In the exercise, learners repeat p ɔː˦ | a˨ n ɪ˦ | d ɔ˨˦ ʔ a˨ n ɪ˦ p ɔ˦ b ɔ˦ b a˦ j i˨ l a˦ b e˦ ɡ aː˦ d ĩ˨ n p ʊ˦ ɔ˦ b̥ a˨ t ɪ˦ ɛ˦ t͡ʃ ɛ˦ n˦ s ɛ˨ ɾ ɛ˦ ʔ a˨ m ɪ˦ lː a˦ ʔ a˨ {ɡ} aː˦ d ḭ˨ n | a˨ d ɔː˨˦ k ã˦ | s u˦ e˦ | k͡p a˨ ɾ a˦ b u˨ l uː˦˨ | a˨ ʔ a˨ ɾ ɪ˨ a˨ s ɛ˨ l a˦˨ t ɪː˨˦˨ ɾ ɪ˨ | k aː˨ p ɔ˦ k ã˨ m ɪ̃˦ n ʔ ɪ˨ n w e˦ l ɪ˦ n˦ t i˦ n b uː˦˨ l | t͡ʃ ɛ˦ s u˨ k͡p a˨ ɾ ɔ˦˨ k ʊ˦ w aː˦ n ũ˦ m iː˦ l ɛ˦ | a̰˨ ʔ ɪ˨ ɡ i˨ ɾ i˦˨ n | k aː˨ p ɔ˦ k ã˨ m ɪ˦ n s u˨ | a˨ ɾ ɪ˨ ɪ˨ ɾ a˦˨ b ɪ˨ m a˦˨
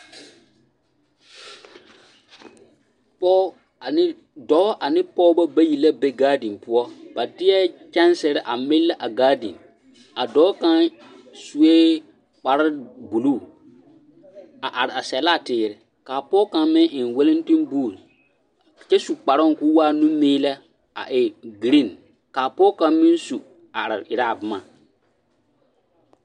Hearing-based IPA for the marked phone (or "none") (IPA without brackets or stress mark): ɡ